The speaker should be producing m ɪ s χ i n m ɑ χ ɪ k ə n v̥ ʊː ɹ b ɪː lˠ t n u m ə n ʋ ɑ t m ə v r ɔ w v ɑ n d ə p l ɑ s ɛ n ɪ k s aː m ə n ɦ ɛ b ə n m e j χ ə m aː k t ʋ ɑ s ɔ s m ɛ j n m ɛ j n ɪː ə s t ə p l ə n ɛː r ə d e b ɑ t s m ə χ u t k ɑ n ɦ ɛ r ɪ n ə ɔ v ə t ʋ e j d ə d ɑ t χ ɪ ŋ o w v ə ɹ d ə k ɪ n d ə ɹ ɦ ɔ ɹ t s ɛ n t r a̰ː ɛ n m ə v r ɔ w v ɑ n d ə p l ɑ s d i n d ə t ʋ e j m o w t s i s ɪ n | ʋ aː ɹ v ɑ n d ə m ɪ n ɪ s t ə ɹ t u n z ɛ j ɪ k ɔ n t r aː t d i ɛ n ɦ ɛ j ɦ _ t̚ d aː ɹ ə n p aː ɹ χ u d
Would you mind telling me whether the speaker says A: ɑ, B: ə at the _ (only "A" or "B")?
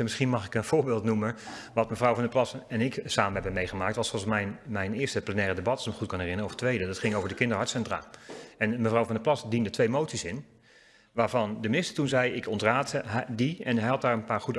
A